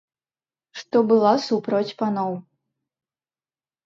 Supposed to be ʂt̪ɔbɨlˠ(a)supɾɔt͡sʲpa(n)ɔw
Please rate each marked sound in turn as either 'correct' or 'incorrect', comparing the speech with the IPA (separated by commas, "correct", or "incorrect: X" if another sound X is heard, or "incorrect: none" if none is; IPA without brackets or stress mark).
correct, correct